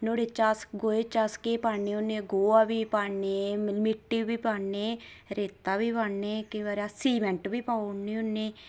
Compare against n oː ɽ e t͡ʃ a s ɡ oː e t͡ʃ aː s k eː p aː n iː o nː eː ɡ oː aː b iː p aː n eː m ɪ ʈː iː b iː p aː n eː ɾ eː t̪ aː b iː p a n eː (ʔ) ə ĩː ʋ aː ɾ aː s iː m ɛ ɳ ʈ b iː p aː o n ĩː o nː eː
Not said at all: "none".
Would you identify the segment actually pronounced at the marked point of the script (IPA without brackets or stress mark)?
k